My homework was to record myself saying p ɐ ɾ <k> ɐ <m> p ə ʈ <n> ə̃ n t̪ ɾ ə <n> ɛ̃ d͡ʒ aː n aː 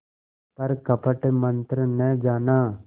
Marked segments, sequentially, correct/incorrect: correct, incorrect, incorrect, correct

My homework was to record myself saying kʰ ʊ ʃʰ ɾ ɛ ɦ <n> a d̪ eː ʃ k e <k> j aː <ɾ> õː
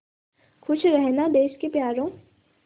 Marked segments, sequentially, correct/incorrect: correct, incorrect, correct

